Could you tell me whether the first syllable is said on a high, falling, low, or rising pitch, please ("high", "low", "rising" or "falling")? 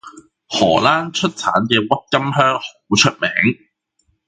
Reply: low